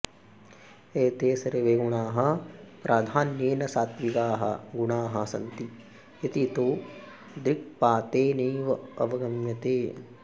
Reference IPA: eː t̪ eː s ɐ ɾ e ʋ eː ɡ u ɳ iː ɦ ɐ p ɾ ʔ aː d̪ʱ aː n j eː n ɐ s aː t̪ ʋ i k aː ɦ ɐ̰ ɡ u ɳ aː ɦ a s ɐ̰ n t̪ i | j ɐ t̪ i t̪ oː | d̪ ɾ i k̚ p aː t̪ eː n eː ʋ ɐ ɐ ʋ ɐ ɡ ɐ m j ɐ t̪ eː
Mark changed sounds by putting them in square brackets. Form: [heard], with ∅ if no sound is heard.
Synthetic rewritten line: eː t̪ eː s ɐ ɾ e ʋ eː ɡ u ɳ [aː] ɦ ɐ p ɾ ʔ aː d̪ʱ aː n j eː n ɐ s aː t̪ ʋ i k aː ɦ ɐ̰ ɡ u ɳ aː ɦ [ɐ] s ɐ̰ n t̪ i | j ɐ t̪ i t̪ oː | d̪ ɾ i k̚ p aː t̪ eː n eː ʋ ɐ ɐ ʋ ɐ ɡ ɐ m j ɐ t̪ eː